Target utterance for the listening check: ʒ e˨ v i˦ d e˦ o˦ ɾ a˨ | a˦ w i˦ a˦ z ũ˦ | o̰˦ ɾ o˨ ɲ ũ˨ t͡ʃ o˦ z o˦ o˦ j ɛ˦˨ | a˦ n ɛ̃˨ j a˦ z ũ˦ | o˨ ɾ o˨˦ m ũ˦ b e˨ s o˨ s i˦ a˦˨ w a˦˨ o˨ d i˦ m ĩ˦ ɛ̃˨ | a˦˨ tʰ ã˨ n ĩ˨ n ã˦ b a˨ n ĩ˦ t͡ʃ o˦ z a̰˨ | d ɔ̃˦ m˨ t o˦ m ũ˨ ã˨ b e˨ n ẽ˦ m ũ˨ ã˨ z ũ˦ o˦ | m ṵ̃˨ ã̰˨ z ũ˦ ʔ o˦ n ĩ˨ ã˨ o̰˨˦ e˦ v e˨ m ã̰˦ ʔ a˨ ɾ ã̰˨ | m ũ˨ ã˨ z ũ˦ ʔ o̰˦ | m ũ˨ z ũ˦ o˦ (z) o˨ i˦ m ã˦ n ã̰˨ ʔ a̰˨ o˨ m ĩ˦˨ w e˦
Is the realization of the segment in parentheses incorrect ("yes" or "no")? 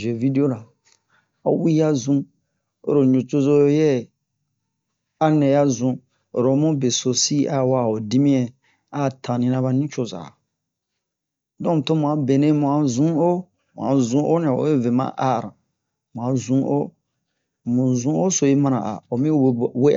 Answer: yes